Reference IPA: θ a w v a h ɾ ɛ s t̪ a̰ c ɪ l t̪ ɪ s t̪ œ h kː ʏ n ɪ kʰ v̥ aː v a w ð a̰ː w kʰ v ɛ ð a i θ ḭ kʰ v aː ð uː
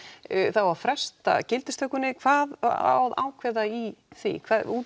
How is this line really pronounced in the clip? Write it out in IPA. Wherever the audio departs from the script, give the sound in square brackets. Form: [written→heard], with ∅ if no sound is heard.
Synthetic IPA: θ a w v a [h→f] ɾ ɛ s t̪ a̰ c ɪ l t̪ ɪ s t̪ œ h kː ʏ n ɪ kʰ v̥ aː [v→ð] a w ð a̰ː w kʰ v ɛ ð a i θ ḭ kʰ v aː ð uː